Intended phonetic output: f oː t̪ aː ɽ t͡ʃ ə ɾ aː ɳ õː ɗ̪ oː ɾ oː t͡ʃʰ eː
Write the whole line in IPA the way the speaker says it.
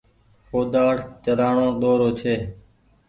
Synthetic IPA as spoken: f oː d̪ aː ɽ t͡ʃ ə ɾ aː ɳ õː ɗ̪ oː ɾ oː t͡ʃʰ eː